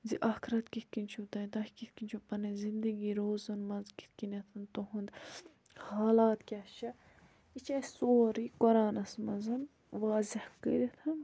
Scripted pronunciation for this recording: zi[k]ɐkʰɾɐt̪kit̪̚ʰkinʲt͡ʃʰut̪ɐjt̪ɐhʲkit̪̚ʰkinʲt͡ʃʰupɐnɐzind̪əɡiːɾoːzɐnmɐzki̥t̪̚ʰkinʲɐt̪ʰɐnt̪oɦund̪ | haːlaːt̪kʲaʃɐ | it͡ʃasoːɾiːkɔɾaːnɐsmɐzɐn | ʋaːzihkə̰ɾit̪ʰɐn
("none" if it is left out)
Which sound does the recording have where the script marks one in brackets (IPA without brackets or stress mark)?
ʔ